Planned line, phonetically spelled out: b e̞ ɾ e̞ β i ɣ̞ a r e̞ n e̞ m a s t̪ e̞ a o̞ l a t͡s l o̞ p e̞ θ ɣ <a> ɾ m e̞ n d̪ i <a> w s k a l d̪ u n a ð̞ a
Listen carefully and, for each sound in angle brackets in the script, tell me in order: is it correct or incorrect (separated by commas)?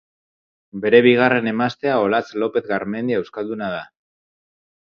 correct, incorrect